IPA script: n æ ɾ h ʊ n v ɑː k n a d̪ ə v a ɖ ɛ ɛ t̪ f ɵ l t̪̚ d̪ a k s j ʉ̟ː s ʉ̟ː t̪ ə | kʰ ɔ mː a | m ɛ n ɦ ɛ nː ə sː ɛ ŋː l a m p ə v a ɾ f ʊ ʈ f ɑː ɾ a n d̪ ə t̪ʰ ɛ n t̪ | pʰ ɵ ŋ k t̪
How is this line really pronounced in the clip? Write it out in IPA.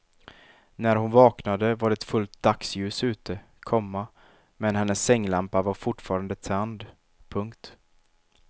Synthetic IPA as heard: n æ ɾ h ʊ n v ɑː k n a d̪ ə v a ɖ ɛ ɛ t̪ f ɵ l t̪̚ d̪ a k s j ʉ̟ː s ʉ̟ː t̪ ə | kʰ ɔ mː a | m ɛ n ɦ ɛ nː ə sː ɛ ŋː l a m p a v a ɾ f ʊ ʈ f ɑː ɾ a n d̪ ə t̪ʰ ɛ n d̪ | pʰ ɵ ŋ k t̪